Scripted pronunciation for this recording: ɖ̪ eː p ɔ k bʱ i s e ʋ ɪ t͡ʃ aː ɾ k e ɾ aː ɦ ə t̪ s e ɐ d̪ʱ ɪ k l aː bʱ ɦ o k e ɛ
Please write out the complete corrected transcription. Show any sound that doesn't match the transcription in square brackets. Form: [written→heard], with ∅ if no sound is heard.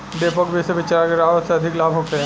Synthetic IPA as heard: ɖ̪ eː p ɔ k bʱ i s e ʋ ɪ t͡ʃ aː ɾ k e ɾ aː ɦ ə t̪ s e ɐ d̪ʱ ɪ k l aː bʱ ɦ o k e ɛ